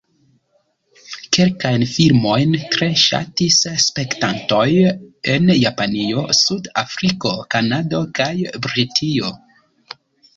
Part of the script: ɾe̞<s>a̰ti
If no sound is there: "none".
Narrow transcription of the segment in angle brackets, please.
ʃ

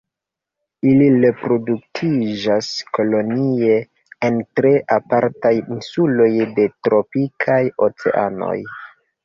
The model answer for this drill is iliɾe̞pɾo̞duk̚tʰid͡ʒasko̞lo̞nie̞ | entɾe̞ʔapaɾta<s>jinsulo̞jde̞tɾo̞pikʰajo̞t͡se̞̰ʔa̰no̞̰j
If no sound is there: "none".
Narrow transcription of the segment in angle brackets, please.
none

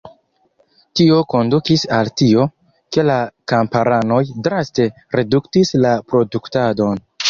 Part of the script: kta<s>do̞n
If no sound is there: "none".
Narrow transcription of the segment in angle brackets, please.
none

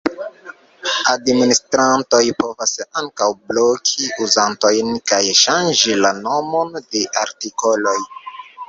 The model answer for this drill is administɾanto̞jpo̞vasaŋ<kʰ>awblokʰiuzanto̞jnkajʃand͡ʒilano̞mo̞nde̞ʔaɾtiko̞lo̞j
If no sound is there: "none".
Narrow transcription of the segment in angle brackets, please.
k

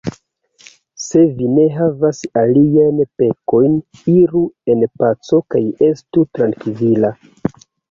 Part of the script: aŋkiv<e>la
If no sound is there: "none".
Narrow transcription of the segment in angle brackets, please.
i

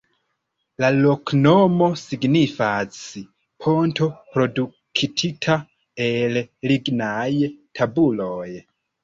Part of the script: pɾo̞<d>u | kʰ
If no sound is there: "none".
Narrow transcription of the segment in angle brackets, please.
d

